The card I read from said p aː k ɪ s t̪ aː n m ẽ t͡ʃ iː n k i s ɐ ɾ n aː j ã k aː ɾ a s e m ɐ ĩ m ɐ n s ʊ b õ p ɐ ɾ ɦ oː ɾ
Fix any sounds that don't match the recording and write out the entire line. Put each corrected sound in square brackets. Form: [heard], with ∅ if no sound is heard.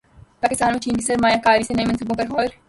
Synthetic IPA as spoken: p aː k ɪ s t̪ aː n m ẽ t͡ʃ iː n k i s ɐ ɾ [m] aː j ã k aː ɾ [i] s e [n] ɐ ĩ m ɐ n s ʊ b õ p ɐ ɾ ɦ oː ɾ

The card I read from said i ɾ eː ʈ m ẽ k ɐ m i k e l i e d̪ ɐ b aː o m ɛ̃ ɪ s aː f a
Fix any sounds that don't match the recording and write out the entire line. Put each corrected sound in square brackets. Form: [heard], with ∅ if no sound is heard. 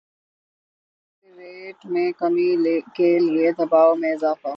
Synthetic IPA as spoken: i ɾ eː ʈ m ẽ k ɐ m i k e l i e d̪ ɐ b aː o m [ẽ] ɪ [z] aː f a

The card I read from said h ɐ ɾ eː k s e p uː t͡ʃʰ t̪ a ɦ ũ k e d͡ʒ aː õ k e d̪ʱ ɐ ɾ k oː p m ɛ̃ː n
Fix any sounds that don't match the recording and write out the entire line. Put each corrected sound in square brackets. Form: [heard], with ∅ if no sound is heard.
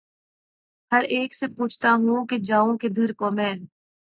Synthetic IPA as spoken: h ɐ ɾ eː k s e p uː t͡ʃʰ t̪ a ɦ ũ k e d͡ʒ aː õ k e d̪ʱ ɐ ɾ k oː [∅] m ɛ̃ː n

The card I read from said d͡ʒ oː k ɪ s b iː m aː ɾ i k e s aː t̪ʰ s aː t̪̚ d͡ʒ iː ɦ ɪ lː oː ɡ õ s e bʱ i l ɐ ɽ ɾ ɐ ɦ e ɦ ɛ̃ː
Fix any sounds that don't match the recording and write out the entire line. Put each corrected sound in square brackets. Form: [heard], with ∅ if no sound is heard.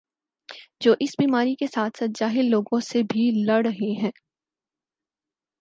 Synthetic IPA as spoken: d͡ʒ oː [ʔ] ɪ s b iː m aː ɾ i k e s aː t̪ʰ s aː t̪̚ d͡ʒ [aː] ɦ ɪ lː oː ɡ õ s e bʱ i l ɐ ɽ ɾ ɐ ɦ e ɦ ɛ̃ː

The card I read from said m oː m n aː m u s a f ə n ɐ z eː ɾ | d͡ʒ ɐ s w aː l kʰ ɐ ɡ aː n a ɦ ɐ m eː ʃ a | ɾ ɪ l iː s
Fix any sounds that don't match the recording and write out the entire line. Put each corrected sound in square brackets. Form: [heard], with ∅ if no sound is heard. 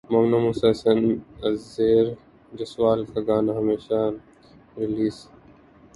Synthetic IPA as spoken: m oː m n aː m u s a [s] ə n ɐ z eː ɾ | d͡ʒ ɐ s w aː l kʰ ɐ ɡ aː n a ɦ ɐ m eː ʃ a | ɾ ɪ l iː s

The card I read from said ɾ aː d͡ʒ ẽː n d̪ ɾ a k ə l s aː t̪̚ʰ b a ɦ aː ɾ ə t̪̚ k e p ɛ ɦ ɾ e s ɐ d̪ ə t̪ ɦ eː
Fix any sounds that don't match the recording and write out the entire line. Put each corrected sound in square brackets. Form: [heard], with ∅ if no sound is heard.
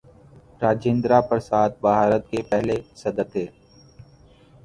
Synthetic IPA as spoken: ɾ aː d͡ʒ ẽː n d̪ ɾ a [p] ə [ɾ] s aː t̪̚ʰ b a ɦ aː ɾ ə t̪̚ k e p ɛ ɦ [l] e s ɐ d̪ ə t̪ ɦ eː

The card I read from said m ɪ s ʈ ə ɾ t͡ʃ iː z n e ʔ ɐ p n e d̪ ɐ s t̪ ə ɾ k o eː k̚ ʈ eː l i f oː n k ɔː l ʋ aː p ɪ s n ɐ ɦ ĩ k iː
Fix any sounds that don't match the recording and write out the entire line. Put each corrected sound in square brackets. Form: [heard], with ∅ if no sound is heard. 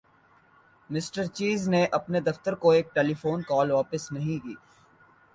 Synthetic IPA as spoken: m ɪ s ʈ ə ɾ t͡ʃ iː z n e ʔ ɐ p n e d̪ ɐ [f] t̪ ə ɾ k o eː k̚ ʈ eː l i f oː n k ɔː l ʋ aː p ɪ s n ɐ ɦ ĩ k iː

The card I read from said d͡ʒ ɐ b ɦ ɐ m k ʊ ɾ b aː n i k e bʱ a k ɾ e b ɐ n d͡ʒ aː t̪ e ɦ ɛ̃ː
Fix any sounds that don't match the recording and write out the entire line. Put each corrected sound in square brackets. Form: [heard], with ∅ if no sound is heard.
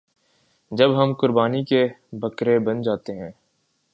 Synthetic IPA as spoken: d͡ʒ ɐ b ɦ ɐ m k ʊ ɾ b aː n i k e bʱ [ɐ] k ɾ e b ɐ n d͡ʒ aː t̪ e ɦ ɛ̃ː

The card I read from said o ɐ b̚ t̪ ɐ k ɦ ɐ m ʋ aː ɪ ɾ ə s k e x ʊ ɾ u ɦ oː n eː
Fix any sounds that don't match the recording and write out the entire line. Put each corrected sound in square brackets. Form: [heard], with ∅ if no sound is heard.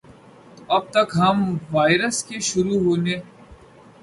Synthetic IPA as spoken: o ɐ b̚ t̪ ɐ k ɦ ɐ m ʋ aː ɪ ɾ ə s k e [ʃ] ʊ ɾ u ɦ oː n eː

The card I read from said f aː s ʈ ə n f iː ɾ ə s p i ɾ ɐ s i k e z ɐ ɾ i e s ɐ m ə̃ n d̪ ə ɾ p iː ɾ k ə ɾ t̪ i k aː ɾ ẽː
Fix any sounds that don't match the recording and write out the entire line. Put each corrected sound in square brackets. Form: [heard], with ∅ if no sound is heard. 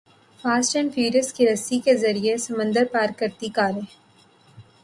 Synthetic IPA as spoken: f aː s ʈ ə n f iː ɾ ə s [k] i ɾ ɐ s i k e z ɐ ɾ i e s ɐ m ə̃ n d̪ ə ɾ p [aː] ɾ k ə ɾ t̪ i k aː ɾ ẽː

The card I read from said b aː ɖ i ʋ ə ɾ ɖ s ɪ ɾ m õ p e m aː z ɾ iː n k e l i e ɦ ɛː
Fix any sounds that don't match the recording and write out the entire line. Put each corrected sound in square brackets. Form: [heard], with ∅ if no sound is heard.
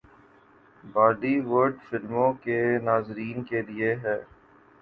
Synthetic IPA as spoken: b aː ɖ i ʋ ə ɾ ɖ [f] ɪ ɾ m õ [k] e [n] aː z ɾ iː n k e l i e ɦ ɛː

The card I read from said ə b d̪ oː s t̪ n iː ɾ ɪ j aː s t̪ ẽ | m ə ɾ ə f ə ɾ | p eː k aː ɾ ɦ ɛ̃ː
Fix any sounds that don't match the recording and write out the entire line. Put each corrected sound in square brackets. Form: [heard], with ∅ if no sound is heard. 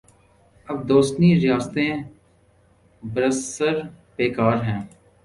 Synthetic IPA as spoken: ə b d̪ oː s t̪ n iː ɾ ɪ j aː s t̪ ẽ | [b] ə ɾ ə [s] ə ɾ | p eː k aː ɾ ɦ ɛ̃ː

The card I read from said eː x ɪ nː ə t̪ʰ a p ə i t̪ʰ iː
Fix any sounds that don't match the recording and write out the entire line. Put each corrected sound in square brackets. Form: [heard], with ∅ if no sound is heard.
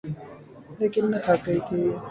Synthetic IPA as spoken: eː [k] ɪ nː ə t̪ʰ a [k] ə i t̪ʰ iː

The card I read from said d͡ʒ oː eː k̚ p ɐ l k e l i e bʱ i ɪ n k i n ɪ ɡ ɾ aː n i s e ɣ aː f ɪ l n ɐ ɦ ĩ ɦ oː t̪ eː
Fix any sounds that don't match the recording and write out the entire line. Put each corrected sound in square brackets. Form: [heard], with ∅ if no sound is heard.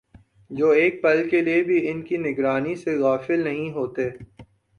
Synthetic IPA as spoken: d͡ʒ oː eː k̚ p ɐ l k e l i e bʱ i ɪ n k i n ɪ ɡ ɾ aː n i s e ɣ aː f ɪ l n ɐ ɦ ĩ ɦ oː t̪ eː

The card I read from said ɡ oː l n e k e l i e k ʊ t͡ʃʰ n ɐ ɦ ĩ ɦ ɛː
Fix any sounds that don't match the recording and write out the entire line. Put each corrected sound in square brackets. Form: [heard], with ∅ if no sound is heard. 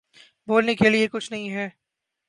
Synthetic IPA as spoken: [b] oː l n e k e l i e k ʊ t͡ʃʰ n ɐ ɦ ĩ ɦ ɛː

